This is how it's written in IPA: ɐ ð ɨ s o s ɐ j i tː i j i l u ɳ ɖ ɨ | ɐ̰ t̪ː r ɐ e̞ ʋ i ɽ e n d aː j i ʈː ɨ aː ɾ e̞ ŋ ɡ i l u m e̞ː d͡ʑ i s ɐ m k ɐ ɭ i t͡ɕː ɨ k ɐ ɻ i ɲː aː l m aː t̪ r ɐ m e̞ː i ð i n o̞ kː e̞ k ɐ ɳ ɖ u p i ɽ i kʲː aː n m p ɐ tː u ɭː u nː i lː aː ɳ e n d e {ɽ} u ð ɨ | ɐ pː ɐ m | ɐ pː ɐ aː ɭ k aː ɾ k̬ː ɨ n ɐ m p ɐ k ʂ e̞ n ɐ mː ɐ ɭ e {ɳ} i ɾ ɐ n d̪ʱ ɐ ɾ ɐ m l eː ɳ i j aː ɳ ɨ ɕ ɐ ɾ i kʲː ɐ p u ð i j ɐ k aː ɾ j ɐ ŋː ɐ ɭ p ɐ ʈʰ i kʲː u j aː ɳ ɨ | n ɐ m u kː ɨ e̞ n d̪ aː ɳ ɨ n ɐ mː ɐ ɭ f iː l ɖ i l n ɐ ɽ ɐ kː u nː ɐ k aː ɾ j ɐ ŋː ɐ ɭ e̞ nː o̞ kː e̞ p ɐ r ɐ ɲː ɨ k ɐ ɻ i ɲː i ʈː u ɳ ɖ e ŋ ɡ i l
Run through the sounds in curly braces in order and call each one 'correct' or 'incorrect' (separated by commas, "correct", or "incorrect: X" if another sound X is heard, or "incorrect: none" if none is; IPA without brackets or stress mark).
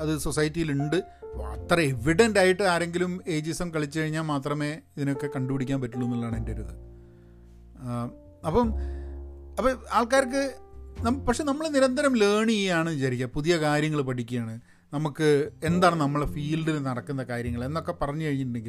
incorrect: ɾ, incorrect: n